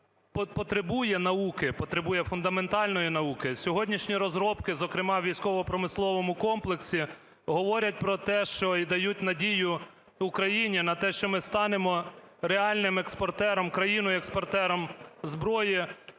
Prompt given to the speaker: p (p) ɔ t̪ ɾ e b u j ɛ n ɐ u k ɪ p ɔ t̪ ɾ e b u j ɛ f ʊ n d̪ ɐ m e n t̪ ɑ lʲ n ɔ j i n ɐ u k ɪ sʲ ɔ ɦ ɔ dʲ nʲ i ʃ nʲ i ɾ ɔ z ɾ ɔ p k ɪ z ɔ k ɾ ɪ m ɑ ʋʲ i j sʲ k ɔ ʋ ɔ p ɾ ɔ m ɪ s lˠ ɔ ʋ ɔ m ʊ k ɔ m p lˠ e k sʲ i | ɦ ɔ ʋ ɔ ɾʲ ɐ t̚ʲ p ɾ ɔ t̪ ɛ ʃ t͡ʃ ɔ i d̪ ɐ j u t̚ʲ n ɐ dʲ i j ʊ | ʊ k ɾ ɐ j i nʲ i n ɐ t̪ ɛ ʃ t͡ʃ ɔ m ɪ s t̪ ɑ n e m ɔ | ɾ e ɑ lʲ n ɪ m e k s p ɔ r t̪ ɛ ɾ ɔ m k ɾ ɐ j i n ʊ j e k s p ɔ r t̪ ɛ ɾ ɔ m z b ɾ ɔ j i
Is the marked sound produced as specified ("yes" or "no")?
yes